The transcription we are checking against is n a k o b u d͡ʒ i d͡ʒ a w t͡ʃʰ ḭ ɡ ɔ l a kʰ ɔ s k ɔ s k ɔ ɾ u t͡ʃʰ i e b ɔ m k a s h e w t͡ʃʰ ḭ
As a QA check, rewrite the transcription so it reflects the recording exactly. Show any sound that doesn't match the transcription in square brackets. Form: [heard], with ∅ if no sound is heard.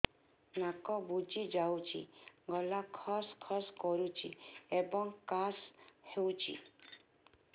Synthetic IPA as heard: n a k [ɔ] b u d͡ʒ i d͡ʒ a w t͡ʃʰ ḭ ɡ ɔ l a kʰ ɔ s [kʰ] ɔ s k ɔ ɾ u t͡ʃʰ i e b ɔ [ŋ] k a s h e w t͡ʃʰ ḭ